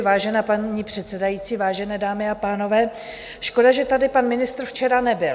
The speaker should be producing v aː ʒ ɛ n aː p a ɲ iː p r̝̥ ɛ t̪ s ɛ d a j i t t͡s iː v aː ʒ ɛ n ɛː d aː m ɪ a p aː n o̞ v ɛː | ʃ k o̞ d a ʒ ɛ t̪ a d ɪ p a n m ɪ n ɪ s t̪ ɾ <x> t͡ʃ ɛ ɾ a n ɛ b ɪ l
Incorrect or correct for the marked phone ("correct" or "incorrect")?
incorrect